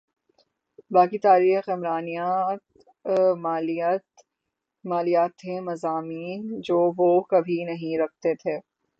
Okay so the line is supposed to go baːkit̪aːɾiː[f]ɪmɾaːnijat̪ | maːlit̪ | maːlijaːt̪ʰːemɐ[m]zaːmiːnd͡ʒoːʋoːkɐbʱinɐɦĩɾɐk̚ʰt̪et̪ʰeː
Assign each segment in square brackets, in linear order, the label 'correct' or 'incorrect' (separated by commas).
incorrect, incorrect